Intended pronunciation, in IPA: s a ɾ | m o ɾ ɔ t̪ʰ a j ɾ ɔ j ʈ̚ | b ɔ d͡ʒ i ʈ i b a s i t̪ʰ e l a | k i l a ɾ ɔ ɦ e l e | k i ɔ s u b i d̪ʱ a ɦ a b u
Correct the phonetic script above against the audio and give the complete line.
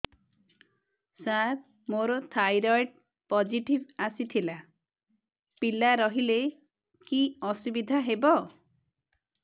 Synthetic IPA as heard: s a ɾ | m o ɾ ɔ t̪ʰ a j ɾ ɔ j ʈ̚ | p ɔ d͡ʒ i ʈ i b a s i t̪ʰ i l a | p i l a ɾ ɔ ɦ i l e | k i ɔ s u b i d̪ʱ a ɦ e b ɔ